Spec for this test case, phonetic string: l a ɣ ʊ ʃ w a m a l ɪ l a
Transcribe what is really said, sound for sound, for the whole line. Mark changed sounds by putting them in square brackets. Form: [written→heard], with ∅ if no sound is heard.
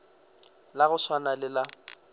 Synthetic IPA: l a ɣ ʊ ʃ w a [m→n] a l ɪ l a